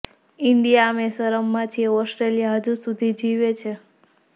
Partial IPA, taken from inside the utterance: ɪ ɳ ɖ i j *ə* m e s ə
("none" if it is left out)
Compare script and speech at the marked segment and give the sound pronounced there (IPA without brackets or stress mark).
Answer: a